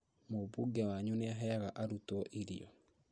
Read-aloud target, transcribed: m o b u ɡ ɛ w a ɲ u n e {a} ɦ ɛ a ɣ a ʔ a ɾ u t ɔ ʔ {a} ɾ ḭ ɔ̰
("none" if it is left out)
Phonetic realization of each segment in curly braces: a, i

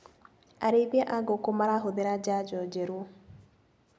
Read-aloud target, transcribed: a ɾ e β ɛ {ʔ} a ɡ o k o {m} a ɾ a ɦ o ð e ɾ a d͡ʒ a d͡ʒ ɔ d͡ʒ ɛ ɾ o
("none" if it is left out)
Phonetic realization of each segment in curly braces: ʔ, m

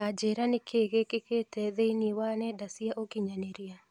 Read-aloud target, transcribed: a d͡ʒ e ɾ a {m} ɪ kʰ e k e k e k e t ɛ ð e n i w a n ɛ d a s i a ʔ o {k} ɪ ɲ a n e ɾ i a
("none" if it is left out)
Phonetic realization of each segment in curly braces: n, k

